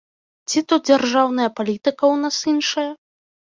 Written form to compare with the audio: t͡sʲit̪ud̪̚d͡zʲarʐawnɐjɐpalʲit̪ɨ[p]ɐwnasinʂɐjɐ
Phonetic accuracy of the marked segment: incorrect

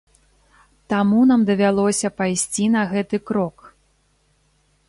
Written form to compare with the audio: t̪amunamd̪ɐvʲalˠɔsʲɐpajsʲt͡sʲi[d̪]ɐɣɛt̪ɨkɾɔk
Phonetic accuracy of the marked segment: incorrect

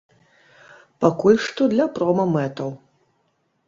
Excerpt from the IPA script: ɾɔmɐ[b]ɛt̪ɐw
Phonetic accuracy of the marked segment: incorrect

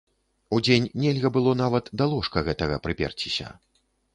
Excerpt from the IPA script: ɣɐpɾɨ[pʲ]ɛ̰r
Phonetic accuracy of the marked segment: correct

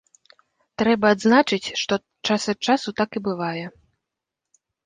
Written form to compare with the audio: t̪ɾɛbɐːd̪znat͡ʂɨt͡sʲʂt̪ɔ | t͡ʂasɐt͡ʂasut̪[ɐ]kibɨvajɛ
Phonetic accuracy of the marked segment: incorrect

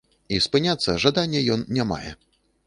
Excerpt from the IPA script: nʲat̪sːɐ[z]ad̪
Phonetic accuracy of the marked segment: incorrect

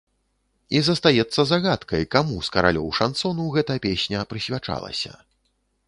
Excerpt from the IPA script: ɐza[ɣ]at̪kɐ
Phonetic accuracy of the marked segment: correct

